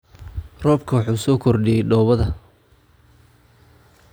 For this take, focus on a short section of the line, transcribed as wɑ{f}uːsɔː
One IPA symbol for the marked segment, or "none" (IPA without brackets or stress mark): ħ